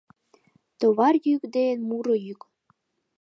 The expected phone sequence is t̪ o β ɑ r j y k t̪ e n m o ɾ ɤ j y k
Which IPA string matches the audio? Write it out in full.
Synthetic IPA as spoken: t̪ o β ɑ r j y k d̪ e n m u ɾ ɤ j y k